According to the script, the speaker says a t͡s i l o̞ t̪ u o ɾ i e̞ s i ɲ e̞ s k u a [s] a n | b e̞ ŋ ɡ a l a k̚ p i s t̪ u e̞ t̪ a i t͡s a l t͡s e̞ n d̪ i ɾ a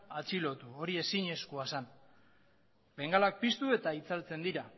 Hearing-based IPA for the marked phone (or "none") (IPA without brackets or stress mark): s